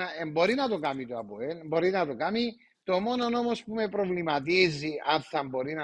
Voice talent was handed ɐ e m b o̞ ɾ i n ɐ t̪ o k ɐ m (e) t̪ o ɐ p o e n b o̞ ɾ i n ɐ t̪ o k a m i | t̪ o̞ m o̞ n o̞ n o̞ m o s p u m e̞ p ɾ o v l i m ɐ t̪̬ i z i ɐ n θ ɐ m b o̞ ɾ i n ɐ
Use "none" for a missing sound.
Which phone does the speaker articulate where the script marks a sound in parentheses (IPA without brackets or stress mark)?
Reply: i